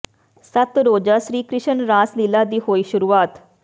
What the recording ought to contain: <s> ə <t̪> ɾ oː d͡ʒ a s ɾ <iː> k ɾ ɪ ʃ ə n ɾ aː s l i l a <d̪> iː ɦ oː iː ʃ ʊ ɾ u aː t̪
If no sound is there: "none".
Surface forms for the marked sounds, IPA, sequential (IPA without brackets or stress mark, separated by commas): s, t̪, iː, d̪